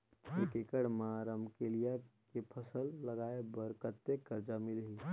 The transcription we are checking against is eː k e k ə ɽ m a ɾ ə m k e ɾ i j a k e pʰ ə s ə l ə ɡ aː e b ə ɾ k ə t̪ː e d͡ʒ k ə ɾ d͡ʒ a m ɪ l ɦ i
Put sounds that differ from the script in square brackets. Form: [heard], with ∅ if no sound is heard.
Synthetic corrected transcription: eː k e k ə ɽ m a ɾ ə m k e [l] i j a k e pʰ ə s ə [lː] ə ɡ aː e b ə ɾ k ə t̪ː e [∅] k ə ɾ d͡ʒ a m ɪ l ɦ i